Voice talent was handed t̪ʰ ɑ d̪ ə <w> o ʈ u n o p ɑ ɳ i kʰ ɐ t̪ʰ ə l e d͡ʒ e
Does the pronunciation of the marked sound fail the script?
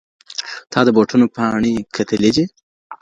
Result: yes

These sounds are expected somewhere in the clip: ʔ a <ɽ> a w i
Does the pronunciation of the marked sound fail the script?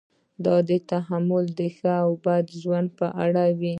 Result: no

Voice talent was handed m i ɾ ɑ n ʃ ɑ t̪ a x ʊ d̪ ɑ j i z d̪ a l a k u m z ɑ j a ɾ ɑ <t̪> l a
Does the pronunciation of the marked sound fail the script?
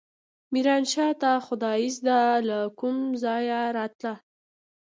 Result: no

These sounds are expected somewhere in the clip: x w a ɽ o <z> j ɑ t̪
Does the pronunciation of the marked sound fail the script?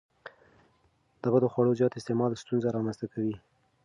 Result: no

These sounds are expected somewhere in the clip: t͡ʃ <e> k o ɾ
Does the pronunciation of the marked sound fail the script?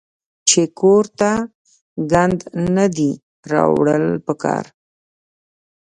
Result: no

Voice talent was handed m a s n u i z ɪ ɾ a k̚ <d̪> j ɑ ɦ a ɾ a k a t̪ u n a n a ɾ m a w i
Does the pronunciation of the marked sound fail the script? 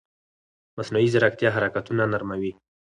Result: yes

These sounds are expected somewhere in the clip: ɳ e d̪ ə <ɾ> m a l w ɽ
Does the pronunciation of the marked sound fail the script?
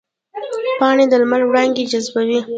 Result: yes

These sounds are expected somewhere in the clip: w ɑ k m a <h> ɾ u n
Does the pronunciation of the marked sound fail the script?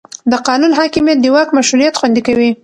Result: yes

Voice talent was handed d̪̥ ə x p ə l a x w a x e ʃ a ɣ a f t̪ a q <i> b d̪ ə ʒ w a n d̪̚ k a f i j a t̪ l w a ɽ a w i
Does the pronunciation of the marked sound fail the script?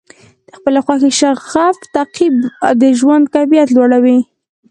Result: no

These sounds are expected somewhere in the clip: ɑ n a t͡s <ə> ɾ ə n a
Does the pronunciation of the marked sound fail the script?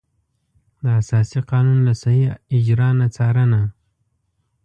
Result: yes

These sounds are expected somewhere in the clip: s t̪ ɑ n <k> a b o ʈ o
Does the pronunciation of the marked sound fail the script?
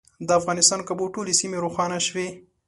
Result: no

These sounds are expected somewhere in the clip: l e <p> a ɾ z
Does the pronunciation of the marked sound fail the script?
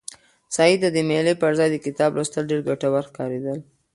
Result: no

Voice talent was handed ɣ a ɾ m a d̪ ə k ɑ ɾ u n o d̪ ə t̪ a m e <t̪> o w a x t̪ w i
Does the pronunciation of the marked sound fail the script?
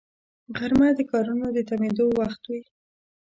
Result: yes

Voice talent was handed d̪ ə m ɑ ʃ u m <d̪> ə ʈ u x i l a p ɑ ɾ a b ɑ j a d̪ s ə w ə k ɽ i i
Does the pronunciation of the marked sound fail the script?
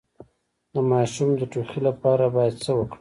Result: no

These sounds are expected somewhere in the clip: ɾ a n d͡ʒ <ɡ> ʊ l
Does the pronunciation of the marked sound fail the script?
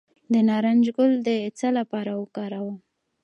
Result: no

